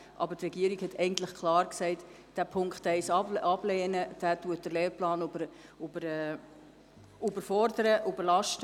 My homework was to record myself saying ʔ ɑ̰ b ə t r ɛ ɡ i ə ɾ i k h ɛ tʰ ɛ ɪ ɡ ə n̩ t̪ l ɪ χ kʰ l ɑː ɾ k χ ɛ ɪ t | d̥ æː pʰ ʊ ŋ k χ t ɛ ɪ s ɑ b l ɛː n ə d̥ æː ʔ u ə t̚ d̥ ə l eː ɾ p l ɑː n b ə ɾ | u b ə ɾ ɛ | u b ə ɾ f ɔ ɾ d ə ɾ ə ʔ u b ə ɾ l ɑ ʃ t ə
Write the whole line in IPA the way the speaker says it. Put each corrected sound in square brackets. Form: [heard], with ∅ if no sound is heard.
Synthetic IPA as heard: ʔ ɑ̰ b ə t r ɛ ɡ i ə ɾ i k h ɛ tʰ ɛ ɪ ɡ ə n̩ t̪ l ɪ χ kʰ l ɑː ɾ k [s] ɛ ɪ t | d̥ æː pʰ ʊ ŋ k χ t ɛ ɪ s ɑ b l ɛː n ə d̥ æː [t] u ə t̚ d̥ ə l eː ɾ p l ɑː n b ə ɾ | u b ə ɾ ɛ | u b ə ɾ f ɔ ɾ d ə ɾ ə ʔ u b ə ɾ l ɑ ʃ t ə